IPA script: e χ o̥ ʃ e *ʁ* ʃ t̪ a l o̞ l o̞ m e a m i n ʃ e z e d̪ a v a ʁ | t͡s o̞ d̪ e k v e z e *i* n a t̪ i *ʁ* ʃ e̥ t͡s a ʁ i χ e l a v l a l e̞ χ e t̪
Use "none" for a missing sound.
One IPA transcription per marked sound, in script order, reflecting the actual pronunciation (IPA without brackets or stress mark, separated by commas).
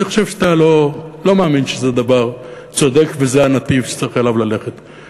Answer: v, a, v